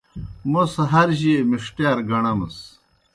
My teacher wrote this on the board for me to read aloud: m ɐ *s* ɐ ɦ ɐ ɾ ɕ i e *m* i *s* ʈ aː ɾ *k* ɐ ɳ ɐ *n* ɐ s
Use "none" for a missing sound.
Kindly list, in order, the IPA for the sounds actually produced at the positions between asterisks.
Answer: s, m, ʂ, ɡ, m

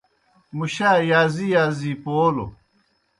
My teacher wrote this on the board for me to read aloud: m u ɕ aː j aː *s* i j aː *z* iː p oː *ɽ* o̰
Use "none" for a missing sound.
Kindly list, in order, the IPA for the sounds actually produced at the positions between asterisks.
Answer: z, z, l

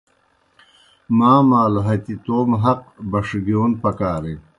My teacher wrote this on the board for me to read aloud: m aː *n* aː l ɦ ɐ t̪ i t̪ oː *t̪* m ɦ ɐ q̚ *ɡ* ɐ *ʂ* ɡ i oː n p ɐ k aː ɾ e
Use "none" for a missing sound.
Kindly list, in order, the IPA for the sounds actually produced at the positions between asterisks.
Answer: m, none, b, ʂ

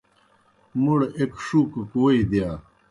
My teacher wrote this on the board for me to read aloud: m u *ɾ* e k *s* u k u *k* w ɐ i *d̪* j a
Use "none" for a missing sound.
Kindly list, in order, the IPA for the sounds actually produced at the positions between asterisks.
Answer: ɽ, ʂ, k, d̪

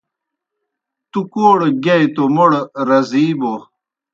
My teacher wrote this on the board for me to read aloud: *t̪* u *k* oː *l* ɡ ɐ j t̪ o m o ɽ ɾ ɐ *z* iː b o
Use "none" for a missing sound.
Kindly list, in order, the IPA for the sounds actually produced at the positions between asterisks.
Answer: t̪, k, ɽ, z

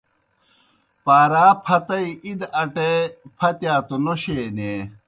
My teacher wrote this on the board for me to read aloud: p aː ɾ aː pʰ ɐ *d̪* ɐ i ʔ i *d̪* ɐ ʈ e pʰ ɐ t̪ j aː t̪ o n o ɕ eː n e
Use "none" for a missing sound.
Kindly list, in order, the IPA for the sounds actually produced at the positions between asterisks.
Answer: t̪, d̪

